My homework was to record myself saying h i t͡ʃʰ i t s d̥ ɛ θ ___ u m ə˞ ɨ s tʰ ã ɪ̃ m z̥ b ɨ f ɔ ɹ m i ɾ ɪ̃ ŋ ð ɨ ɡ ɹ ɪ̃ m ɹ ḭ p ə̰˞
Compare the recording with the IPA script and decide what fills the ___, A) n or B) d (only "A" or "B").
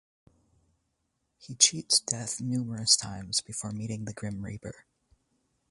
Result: A